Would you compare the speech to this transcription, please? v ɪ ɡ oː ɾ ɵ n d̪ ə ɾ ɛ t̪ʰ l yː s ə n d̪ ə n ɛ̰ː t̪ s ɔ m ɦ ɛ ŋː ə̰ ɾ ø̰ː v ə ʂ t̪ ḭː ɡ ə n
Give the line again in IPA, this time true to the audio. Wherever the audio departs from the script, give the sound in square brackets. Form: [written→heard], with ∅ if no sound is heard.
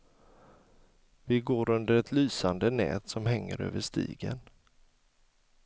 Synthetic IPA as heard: v ɪ ɡ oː ɾ ɵ n d̪ ə ɾ ɛ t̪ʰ l yː s [ə→a] n d̪ ə n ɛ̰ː t̪ s ɔ m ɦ ɛ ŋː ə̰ ɾ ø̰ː v ə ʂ t̪ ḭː ɡ ə n